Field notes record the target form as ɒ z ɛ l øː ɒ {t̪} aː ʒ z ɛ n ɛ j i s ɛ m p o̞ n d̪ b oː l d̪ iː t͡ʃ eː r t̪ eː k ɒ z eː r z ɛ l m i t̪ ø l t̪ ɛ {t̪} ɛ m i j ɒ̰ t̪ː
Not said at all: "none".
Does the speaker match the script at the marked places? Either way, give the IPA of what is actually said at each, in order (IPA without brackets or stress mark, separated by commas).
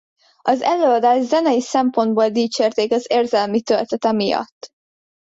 d̪, t̪